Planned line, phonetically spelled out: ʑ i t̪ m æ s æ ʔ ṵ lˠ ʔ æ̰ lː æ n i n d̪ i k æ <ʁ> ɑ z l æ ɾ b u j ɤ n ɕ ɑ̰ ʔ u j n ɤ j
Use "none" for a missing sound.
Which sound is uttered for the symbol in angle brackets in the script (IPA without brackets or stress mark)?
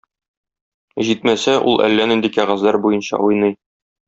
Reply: ʁ